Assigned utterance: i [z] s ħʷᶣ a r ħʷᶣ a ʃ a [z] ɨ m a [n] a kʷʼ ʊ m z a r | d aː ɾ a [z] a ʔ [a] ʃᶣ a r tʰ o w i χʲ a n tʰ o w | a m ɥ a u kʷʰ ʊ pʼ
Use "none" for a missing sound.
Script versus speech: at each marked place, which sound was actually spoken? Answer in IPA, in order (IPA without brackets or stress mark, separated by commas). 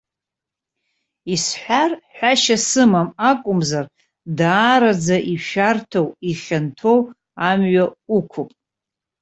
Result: none, s, m, d͡z, i